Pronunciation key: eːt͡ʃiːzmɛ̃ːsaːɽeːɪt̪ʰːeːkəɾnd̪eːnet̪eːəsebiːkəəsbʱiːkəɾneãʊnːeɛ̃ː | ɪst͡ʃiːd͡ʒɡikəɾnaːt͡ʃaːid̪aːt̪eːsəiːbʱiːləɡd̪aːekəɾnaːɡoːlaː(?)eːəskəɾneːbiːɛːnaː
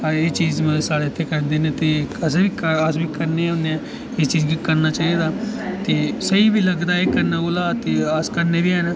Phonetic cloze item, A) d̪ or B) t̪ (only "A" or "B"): B